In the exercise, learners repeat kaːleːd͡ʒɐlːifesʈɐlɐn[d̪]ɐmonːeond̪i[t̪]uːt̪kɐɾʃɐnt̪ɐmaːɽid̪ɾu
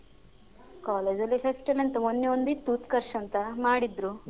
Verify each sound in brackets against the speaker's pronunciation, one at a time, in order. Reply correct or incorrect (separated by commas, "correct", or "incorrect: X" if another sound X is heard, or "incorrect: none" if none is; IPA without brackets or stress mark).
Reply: incorrect: t̪, correct